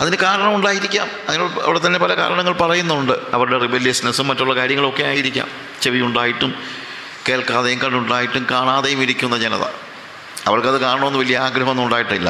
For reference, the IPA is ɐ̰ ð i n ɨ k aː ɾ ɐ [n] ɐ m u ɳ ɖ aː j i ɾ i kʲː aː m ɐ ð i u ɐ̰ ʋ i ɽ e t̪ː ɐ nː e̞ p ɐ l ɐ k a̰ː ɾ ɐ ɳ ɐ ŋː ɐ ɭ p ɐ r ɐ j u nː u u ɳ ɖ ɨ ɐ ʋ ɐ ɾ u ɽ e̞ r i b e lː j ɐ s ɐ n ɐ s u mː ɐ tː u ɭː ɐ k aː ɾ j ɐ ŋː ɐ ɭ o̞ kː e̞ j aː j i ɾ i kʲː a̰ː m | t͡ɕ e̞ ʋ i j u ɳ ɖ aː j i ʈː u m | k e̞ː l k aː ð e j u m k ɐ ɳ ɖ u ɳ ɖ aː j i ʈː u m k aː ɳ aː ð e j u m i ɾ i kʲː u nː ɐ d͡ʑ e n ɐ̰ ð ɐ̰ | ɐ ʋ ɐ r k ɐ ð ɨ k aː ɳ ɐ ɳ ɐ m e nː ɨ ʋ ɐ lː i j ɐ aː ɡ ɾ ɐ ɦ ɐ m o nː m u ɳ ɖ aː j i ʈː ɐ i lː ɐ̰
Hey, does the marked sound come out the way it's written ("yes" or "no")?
no